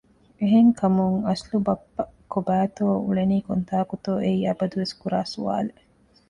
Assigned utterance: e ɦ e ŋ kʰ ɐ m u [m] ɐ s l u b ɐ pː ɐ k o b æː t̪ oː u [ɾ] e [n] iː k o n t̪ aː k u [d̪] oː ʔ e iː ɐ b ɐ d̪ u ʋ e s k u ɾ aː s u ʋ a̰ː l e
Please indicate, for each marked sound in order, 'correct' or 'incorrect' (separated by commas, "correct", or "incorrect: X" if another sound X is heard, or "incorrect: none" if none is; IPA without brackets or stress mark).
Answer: incorrect: ŋ, incorrect: ɭ, correct, incorrect: t̪